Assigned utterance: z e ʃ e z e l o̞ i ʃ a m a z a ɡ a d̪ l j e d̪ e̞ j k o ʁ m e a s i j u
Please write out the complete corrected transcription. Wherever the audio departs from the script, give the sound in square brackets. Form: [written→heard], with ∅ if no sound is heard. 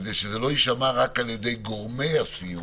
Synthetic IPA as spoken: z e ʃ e z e l o̞ i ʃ a m a [z→ʁ] a [ɡ→k] a [d̪→∅] l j e d̪ e̞ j [k→ɡ] o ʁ m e a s i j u